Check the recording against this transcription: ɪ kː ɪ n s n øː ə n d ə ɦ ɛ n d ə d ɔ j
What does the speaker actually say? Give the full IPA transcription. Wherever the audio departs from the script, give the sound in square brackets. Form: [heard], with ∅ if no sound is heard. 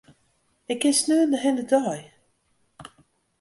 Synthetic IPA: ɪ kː ɪ n s n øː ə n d ə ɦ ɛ n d ə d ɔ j